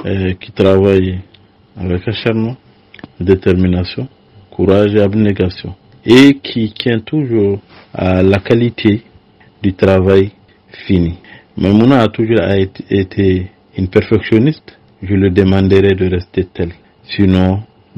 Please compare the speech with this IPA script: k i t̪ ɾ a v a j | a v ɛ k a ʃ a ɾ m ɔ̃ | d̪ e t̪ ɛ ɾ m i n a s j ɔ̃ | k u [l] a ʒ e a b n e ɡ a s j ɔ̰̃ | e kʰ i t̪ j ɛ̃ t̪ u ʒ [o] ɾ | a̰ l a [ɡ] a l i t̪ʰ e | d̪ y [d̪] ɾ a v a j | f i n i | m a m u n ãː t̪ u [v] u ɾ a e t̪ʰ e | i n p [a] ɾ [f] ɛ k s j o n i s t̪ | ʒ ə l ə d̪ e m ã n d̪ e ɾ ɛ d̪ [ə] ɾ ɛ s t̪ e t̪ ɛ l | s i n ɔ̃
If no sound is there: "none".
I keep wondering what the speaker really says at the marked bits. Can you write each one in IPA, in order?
ɾ, u, k, t̪, ʒ, ɛ, f, ə

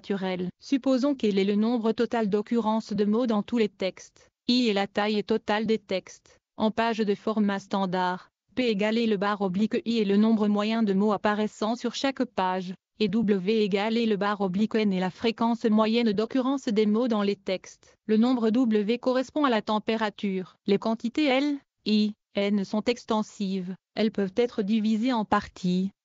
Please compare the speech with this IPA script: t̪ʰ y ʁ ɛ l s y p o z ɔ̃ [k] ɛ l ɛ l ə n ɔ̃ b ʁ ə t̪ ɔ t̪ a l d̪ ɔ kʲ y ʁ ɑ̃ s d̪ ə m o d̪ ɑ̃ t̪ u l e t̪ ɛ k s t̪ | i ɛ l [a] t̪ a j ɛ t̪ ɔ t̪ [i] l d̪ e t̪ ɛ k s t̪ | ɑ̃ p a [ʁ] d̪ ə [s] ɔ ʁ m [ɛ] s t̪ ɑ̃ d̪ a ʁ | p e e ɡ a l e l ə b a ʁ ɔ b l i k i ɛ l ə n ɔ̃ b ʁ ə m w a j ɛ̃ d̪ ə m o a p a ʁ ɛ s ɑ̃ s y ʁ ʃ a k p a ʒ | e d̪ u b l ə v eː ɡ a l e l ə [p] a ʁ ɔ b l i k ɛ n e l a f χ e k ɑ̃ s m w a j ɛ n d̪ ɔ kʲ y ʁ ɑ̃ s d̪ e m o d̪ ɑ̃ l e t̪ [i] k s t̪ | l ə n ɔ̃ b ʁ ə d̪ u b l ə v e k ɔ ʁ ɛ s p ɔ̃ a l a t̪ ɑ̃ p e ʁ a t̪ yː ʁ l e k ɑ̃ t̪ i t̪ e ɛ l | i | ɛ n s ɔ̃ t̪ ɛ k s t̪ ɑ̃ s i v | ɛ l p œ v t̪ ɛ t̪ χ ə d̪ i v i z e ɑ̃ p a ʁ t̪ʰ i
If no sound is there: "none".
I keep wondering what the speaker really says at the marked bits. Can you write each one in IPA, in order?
k, a, a, ʒ, f, a, b, ɛ

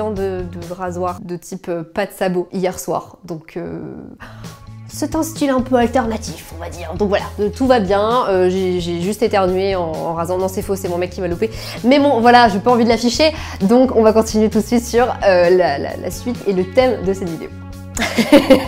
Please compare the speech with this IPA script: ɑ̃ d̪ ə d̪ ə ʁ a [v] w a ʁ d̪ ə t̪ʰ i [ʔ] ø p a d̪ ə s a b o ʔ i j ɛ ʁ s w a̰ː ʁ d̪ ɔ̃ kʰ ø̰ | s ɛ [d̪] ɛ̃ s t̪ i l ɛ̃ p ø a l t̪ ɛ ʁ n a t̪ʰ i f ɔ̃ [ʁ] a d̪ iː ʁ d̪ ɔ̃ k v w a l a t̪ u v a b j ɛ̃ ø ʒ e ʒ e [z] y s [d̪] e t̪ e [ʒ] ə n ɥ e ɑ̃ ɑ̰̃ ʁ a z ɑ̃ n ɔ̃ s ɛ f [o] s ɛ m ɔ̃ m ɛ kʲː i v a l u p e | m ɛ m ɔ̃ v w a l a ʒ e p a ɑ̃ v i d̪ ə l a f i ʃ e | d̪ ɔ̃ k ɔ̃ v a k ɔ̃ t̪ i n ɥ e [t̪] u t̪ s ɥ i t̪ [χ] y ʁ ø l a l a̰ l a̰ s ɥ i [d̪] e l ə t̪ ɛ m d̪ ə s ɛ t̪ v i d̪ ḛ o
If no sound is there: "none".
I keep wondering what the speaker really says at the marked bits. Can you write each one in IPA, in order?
z, p, t̪, v, ʒ, t̪, ʁ, o, t̪, s, t̪

